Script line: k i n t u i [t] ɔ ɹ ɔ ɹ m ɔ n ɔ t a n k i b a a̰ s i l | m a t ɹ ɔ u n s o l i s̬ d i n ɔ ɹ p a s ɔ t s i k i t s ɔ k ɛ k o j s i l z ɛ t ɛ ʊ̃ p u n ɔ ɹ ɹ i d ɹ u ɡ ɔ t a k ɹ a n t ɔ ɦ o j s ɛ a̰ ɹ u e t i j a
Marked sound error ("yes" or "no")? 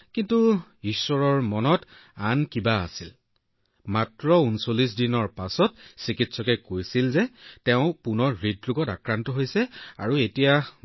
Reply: yes